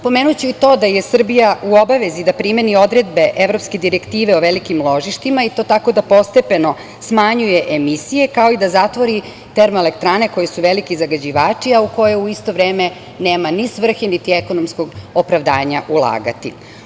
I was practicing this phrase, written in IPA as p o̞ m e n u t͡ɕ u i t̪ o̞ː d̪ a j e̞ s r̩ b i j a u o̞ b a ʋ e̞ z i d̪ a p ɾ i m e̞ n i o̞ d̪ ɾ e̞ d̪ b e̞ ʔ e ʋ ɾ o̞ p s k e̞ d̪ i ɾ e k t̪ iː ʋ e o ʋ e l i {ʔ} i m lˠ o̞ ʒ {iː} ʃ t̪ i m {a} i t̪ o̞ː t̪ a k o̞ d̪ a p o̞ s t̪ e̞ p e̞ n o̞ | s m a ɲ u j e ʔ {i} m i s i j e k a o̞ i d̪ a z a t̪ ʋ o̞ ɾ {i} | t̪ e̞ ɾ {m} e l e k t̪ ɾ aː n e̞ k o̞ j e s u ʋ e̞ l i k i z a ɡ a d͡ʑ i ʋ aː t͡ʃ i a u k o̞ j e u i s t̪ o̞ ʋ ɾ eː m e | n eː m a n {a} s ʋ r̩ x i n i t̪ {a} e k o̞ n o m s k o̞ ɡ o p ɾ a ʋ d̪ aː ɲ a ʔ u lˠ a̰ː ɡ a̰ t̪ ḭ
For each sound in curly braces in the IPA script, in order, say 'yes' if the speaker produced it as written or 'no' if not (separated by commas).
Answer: no, no, yes, no, yes, yes, no, no